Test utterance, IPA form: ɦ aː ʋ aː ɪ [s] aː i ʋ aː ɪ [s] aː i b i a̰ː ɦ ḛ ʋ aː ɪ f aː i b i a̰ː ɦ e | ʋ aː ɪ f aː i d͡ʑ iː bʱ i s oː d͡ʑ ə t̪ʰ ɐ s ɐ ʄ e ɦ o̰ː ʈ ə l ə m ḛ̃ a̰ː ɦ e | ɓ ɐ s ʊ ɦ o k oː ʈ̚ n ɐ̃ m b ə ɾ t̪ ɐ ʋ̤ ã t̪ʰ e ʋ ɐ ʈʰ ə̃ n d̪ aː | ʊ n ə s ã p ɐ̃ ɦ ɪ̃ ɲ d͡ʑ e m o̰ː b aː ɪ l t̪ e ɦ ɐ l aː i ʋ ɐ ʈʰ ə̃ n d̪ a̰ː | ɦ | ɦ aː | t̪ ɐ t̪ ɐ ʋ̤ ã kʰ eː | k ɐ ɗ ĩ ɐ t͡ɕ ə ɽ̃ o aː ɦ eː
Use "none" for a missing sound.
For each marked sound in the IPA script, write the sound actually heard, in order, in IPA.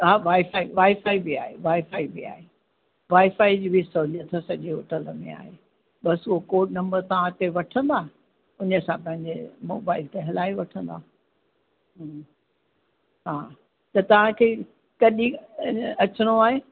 f, f

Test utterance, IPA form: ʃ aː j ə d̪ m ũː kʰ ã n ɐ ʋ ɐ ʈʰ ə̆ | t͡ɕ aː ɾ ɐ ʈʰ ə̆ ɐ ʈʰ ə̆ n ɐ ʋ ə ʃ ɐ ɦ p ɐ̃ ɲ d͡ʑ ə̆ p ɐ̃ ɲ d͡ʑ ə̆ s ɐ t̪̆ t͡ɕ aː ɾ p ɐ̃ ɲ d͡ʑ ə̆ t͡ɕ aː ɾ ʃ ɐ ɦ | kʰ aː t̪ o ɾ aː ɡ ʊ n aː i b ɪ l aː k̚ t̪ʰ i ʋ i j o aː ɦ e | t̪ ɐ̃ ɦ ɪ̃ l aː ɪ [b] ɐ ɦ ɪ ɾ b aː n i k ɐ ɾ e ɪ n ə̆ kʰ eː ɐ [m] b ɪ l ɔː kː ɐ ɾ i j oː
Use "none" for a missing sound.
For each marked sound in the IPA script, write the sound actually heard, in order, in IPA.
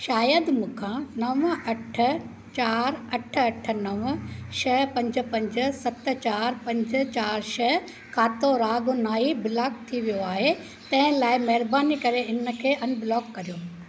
m, n

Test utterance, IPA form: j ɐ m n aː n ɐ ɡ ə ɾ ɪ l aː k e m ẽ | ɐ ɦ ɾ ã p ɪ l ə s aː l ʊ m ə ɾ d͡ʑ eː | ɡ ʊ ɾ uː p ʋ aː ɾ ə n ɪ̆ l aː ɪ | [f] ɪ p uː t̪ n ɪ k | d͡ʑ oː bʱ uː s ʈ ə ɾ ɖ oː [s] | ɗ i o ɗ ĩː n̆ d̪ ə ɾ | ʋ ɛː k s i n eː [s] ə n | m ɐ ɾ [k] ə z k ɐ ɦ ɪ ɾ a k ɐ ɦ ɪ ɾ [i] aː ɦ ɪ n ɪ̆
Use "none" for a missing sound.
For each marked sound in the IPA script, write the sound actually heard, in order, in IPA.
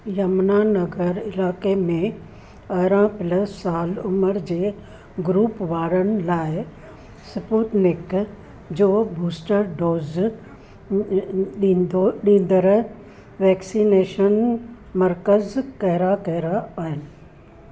s, z, ʃ, k, a

